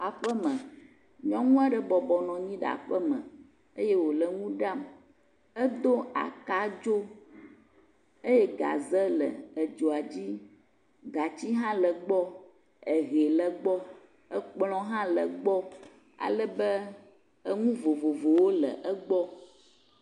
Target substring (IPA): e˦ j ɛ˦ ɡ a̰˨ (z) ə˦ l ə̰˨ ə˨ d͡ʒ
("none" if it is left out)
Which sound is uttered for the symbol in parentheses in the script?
z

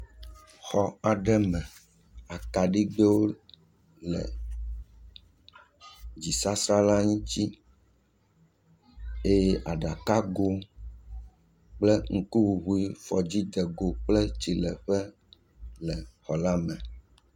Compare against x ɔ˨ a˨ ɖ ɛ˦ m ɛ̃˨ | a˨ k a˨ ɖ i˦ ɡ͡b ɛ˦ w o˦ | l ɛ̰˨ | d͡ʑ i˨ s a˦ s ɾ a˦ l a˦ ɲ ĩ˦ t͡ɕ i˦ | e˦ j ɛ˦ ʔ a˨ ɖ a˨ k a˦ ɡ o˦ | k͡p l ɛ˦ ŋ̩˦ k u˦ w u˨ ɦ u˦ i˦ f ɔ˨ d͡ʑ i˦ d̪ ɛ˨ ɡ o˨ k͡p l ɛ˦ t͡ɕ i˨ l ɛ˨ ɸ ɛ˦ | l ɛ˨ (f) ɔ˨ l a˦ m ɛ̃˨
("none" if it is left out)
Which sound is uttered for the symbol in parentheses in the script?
x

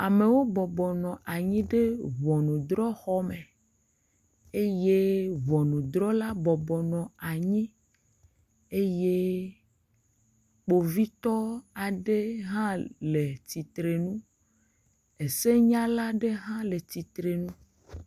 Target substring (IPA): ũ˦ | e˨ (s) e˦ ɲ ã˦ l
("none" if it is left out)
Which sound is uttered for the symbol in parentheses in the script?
s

